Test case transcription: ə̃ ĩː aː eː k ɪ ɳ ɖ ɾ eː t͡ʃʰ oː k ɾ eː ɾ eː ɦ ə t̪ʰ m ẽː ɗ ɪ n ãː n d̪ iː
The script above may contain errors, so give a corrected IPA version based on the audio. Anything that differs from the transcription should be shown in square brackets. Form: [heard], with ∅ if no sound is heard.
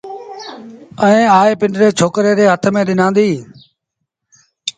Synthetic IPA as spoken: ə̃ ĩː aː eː [p] ɪ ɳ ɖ ɾ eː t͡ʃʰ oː k ɾ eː ɾ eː ɦ ə t̪ʰ m ẽː ɗ ɪ n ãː n d̪ iː

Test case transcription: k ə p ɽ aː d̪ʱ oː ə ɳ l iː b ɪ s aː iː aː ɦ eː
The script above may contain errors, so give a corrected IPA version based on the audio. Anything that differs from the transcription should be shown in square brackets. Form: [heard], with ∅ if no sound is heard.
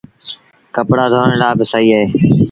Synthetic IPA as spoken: k ə p ɽ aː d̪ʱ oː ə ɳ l [aː] b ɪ s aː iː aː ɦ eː

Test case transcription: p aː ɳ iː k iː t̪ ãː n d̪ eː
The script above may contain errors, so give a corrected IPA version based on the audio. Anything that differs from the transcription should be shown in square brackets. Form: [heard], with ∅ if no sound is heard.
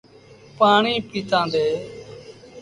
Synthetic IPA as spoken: p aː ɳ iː [p] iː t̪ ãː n d̪ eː

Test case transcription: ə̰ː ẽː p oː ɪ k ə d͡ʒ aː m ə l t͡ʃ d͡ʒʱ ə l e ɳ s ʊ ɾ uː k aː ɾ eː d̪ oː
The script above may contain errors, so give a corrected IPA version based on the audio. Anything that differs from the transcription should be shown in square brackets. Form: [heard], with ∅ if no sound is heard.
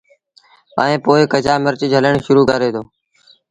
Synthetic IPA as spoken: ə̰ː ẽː p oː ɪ k ə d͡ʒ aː m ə [ɾ] t͡ʃ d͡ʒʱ ə l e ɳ [ʃ] ʊ ɾ uː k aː ɾ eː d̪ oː

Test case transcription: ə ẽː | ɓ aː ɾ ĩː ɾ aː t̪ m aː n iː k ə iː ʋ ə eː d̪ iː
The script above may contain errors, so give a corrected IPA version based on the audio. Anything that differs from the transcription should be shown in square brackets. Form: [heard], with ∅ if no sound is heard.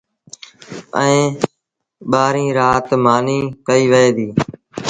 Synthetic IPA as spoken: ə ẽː | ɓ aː ɾ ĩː ɾ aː t̪ m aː n iː k ə iː ʋ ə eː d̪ iː

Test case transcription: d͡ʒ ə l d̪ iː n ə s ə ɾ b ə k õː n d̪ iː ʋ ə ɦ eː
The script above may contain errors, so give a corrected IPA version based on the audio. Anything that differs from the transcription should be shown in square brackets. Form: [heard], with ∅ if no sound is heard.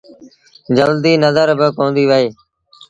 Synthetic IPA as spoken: d͡ʒ ə l d̪ iː n ə [z] ə ɾ b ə k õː n d̪ iː ʋ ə ɦ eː

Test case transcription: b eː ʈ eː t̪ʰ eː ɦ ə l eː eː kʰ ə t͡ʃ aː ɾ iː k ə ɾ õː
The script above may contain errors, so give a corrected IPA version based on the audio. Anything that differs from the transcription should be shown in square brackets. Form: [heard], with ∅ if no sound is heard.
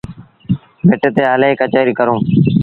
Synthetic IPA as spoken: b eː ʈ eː [t̪] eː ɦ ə l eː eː [k] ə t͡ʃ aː ɾ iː k ə ɾ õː

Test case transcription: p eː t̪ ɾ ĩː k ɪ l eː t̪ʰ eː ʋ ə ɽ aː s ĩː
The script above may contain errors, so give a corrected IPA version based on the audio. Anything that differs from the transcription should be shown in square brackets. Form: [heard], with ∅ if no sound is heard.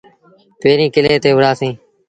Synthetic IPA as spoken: p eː [∅] ɾ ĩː k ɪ l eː [t̪] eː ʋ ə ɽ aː s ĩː

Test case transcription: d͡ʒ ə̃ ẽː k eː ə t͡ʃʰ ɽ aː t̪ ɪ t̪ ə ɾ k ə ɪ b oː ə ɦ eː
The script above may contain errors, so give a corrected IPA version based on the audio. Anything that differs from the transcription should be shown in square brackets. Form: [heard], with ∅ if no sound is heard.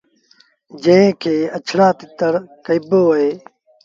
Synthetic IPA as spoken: d͡ʒ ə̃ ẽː [kʰ] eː ə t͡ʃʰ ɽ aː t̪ ɪ t̪ ə ɾ k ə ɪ b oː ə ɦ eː

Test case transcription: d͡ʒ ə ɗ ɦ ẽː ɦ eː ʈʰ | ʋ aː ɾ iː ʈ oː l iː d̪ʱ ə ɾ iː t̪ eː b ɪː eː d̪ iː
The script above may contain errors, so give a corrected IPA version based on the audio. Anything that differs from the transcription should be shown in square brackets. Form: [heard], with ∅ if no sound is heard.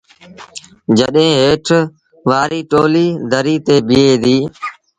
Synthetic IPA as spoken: d͡ʒ ə ɗ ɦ ẽː ɦ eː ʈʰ | ʋ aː ɾ iː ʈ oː l iː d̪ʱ ə ɾ iː t̪ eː b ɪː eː d̪ iː

